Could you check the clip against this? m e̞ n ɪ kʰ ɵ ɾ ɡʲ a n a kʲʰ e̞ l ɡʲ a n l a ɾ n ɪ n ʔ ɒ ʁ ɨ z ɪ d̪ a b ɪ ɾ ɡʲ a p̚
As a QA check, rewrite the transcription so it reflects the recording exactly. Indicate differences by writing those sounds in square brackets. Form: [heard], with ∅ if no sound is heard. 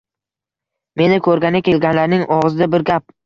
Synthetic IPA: m e̞ n ɪ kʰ ɵ ɾ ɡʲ a n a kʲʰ e̞ l ɡʲ a n l a ɾ n ɪ [ŋ] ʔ ɒ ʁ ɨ z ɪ d̪ a b ɪ ɾ ɡʲ a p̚